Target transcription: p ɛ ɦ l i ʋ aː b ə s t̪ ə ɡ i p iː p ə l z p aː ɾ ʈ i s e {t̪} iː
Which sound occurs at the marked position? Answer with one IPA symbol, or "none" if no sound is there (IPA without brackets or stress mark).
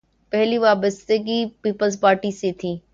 t̪ʰ